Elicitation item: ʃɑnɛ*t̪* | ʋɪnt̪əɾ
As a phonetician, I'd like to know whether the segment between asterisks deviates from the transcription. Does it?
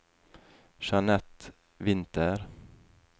no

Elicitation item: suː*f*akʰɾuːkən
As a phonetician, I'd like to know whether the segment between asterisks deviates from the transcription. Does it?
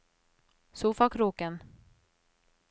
no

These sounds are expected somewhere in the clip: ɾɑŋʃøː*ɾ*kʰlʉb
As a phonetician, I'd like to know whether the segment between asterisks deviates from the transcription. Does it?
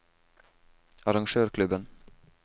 no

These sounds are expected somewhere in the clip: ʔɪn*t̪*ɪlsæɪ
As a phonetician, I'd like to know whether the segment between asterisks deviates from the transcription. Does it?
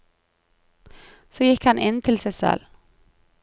yes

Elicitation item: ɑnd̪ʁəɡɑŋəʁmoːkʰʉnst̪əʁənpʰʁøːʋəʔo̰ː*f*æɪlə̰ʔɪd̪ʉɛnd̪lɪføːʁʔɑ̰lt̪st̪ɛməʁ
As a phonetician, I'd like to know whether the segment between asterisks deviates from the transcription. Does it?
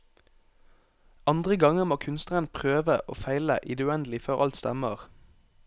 no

